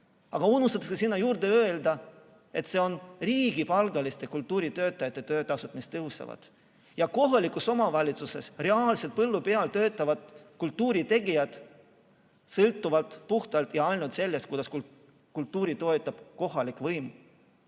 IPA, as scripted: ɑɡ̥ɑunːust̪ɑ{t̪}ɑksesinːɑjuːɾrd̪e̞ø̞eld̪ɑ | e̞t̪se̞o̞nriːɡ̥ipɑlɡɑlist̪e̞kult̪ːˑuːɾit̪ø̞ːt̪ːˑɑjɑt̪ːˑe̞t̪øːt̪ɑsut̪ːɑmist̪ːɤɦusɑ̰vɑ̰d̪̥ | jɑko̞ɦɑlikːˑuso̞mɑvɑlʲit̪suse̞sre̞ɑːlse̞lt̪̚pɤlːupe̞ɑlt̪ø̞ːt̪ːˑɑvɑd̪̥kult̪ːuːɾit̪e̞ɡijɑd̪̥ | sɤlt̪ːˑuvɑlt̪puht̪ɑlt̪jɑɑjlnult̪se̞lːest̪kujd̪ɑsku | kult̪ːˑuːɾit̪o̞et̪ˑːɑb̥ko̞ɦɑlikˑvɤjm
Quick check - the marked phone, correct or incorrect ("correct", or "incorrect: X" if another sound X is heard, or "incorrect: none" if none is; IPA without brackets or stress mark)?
correct